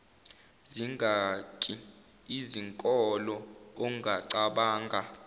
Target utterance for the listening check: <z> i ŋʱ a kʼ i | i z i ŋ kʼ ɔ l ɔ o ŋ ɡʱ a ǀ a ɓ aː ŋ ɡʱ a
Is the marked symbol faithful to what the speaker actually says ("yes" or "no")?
yes